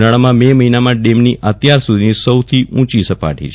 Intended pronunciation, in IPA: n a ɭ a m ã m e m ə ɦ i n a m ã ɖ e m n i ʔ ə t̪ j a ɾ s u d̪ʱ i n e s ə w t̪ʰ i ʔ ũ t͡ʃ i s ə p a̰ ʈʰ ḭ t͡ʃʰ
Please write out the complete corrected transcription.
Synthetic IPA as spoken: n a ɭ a m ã m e m ə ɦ i n a m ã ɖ e m n i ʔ ə t̪ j a ɾ s u d̪ʱ i n i s ə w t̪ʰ i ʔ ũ t͡ʃ i s ə p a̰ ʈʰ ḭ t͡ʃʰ